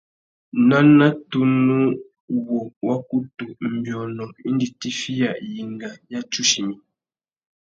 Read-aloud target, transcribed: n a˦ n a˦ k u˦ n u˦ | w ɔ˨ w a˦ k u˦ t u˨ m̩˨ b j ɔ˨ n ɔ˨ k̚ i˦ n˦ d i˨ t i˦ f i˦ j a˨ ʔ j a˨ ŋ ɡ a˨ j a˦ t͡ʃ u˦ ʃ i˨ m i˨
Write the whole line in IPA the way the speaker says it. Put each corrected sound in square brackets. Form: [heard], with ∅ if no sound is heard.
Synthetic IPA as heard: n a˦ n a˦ [t] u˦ n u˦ | w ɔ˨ w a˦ k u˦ t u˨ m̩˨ b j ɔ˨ n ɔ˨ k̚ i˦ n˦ d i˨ t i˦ f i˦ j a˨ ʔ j [i˨] ŋ ɡ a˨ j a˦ t͡ʃ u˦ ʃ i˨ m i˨